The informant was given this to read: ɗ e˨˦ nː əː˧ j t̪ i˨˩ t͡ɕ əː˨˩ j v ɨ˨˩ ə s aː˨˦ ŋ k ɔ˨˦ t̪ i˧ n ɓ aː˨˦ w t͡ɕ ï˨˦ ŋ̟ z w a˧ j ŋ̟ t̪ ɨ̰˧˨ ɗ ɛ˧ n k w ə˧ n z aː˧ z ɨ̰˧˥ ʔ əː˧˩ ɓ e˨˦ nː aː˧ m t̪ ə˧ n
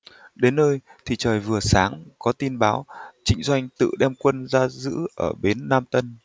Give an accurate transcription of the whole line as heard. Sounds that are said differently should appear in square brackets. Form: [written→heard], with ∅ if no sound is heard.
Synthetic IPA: ɗ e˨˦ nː əː˧ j [t̪→t̪ʰ] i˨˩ t͡ɕ əː˨˩ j v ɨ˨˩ ə s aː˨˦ ŋ k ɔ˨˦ t̪ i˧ n ɓ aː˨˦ w t͡ɕ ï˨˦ ŋ̟ z w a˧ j ŋ̟ t̪ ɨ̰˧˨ ɗ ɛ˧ [n→m] k w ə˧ n z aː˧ z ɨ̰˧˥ ʔ əː˧˩ ɓ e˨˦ nː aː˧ m t̪ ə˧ n

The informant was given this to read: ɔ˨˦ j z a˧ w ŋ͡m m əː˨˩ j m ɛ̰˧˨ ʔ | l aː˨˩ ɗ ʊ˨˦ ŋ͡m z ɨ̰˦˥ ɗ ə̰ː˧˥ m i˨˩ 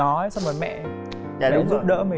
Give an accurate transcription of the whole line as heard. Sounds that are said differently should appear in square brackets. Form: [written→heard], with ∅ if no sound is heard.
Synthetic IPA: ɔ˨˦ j [z→s] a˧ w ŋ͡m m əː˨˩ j m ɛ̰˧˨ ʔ | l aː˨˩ ɗ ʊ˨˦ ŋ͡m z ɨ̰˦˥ ɗ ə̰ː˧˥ m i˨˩

